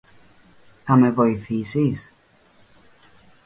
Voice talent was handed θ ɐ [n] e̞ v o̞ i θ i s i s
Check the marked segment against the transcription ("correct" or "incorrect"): incorrect